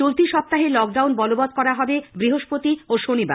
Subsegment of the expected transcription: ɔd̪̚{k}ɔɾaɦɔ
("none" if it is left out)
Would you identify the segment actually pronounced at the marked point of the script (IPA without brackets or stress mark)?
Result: k